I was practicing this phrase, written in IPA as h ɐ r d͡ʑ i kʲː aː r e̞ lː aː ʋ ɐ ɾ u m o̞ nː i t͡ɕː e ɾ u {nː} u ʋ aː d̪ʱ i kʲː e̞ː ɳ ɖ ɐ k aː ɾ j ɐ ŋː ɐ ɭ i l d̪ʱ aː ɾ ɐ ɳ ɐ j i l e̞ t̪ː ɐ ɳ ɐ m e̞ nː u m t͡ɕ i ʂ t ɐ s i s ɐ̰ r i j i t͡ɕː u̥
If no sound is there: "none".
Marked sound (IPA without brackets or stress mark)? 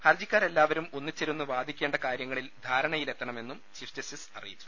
nː